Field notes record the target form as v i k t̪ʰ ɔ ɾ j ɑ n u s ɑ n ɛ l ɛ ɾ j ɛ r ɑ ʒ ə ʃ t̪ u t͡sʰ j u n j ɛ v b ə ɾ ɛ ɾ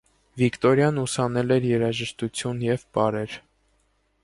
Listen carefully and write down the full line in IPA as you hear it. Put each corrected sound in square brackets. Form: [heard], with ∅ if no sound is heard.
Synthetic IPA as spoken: v i k [t̪] ɔ ɾ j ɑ n u s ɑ n ɛ l ɛ ɾ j ɛ [ɾ] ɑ ʒ ə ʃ t̪ u t͡sʰ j u n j ɛ v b [ɑ] ɾ ɛ ɾ